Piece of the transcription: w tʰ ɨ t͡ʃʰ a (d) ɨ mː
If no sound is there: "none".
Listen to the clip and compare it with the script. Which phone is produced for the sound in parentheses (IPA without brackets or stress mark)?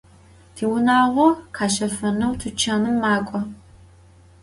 n